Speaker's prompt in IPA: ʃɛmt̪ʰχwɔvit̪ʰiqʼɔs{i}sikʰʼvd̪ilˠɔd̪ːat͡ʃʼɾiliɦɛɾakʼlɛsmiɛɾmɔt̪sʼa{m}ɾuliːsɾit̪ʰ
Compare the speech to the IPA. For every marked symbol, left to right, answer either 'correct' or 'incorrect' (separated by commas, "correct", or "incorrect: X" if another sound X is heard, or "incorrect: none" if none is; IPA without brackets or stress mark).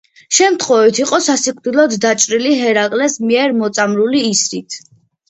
incorrect: a, correct